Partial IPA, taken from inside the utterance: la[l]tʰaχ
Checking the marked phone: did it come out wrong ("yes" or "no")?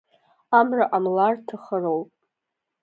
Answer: yes